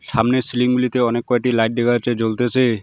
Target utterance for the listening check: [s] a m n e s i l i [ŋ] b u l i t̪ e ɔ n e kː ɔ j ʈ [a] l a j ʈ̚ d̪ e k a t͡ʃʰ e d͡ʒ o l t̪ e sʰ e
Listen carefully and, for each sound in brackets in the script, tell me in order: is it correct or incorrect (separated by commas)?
correct, correct, incorrect